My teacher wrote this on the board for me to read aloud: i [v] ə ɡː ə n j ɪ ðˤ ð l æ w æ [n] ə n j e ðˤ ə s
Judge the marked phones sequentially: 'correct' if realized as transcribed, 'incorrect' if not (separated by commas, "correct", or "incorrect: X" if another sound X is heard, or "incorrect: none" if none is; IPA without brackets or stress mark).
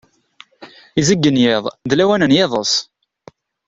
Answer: incorrect: z, correct